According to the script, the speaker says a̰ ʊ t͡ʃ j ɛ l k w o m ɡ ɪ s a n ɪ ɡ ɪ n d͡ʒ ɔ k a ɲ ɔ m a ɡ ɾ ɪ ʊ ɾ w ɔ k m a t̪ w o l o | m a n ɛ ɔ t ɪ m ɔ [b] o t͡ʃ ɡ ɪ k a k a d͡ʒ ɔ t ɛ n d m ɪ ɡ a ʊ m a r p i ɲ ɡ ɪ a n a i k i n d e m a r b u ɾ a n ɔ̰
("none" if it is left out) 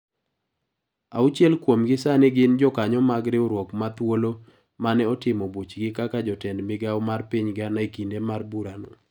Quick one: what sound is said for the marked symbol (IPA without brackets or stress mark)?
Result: b